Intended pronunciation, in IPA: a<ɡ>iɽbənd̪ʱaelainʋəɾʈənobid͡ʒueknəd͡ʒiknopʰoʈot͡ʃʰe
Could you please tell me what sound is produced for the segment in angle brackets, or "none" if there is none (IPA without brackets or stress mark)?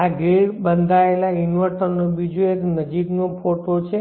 ɡ